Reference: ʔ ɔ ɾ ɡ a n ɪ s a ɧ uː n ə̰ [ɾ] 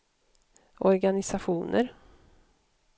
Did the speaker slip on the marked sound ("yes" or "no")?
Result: no